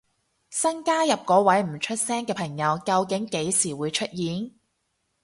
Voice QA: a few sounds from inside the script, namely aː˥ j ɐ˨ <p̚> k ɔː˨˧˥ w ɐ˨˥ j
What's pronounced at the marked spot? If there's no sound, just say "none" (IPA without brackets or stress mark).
p̚